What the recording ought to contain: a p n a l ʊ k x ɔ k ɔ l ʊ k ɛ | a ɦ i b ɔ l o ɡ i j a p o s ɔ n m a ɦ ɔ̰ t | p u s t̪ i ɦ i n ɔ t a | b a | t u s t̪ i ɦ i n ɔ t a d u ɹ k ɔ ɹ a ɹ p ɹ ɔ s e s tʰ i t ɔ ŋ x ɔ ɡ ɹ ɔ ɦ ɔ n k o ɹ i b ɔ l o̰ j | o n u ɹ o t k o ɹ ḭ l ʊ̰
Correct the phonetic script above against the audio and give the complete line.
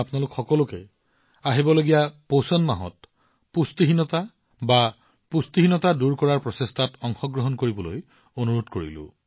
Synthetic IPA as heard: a p n a l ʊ k x ɔ k ɔ l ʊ k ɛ | a ɦ i b ɔ l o ɡ i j a p o s ɔ n m a ɦ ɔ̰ t | p u s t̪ i ɦ i n ɔ t a | b a | p u s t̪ i ɦ i n ɔ t a d u ɹ k ɔ ɹ a ɹ p ɹ ɔ s e s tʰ a t ɔ ŋ x ɔ ɡ ɹ ɔ ɦ ɔ n k o ɹ i b ɔ l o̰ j | o n u ɹ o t k o ɹ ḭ l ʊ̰